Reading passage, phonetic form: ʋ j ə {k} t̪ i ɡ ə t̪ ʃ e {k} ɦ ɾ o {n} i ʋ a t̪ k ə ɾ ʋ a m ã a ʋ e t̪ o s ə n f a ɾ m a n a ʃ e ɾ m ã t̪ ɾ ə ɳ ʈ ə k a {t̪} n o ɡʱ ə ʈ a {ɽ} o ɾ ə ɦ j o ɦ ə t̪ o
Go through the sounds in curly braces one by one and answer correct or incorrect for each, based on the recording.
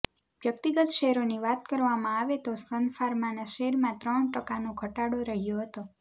correct, incorrect, correct, incorrect, correct

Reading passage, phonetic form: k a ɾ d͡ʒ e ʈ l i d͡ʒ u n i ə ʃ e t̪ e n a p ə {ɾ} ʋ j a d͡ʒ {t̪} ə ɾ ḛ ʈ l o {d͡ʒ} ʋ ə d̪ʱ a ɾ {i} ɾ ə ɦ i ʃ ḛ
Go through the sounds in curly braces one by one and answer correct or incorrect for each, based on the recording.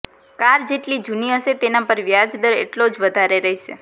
correct, incorrect, correct, incorrect

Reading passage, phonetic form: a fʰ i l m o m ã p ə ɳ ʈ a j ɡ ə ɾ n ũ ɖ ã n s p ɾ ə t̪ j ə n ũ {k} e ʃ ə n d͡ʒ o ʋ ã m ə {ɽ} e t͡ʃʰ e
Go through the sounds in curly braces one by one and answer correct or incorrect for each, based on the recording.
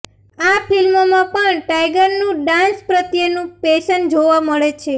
incorrect, incorrect

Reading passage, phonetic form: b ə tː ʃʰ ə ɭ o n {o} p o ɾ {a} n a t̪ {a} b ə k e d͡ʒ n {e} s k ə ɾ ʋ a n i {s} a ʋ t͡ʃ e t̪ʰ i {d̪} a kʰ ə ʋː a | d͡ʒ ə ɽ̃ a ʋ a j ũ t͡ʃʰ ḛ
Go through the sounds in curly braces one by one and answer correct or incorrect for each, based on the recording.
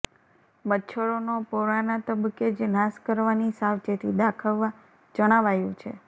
correct, correct, incorrect, incorrect, correct, correct

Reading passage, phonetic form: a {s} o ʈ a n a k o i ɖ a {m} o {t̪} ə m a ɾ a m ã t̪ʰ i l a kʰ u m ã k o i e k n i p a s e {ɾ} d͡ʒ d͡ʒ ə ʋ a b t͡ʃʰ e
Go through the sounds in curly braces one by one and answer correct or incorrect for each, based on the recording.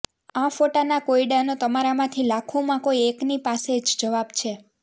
incorrect, incorrect, correct, incorrect

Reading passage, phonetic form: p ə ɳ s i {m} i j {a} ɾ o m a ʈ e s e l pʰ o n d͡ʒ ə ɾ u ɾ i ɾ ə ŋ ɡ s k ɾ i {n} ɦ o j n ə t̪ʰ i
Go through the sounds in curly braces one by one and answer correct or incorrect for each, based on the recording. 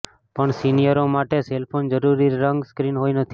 incorrect, incorrect, correct

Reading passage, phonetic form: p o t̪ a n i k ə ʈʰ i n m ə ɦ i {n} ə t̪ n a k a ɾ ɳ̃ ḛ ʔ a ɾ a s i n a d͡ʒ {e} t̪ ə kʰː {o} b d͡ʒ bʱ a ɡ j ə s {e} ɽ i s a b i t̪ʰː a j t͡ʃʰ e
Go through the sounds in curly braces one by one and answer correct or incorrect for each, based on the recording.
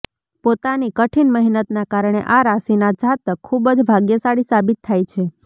correct, incorrect, incorrect, incorrect

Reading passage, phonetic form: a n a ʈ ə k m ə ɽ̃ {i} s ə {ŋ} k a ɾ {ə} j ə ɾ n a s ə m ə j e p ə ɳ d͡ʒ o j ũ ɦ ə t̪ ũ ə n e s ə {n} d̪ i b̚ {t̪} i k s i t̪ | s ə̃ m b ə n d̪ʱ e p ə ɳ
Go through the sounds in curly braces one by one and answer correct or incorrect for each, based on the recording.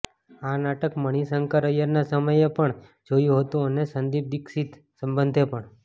correct, correct, correct, correct, incorrect

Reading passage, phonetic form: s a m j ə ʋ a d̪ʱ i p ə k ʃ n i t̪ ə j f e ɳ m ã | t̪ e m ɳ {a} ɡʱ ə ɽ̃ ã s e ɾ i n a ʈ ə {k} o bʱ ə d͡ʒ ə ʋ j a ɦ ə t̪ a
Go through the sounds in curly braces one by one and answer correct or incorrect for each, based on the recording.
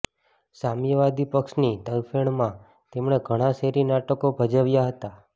incorrect, correct

